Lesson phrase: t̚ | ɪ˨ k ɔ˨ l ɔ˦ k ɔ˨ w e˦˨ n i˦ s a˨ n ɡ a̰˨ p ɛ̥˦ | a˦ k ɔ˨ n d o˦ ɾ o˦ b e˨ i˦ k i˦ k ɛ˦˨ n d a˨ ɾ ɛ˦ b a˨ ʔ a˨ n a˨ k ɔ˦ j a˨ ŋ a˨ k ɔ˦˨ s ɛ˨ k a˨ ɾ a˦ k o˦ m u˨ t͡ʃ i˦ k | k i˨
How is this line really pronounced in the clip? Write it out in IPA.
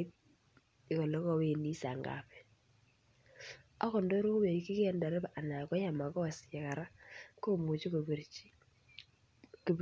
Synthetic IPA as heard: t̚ | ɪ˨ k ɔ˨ l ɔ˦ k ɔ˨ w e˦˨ n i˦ s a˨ ŋ ɡ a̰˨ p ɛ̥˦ | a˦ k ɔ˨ n d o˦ ɾ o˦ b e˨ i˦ k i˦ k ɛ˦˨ n d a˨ ɾ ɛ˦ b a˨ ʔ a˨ n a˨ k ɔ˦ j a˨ m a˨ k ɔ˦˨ s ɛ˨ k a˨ ɾ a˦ k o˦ m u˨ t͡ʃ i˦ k | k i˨